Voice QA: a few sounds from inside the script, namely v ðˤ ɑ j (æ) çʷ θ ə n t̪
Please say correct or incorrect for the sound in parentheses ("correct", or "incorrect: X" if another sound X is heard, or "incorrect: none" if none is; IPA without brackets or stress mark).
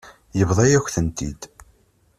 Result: correct